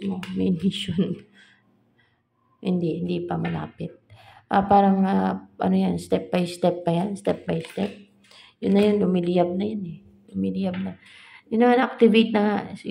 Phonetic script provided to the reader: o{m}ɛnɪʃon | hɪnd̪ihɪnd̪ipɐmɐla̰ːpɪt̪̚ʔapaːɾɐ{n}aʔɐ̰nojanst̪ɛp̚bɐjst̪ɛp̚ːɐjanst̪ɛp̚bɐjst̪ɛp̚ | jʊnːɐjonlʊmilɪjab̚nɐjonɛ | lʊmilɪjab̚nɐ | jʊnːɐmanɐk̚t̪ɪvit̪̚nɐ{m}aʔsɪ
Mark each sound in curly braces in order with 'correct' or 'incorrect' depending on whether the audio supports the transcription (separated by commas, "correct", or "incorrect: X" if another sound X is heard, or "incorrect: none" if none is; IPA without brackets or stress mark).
correct, incorrect: ŋ, incorrect: ŋ